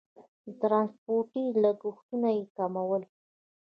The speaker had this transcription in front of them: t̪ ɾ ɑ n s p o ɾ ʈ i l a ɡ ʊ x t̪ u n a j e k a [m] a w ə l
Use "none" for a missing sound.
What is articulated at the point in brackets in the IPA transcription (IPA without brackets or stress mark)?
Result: m